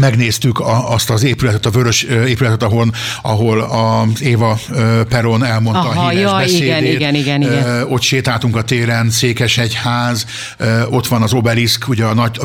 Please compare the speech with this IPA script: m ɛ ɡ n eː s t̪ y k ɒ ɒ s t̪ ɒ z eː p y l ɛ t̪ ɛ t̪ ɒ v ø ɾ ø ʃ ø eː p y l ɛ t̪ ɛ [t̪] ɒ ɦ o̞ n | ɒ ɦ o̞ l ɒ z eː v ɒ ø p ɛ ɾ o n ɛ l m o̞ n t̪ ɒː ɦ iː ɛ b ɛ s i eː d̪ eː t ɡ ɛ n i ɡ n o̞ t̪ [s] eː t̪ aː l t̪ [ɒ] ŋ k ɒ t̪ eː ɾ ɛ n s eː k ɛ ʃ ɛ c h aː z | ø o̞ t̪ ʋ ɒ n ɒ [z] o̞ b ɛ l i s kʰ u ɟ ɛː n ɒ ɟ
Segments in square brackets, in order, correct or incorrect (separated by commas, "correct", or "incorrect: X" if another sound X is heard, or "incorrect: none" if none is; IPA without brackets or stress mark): correct, incorrect: ʃ, incorrect: u, correct